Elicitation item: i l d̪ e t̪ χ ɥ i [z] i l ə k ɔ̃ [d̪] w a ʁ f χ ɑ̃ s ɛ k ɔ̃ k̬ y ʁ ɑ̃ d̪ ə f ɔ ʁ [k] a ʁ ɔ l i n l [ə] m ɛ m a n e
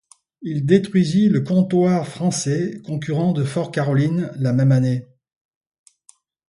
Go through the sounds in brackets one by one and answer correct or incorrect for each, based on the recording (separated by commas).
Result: correct, incorrect, correct, incorrect